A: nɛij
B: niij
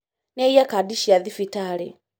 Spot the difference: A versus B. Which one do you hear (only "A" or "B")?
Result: A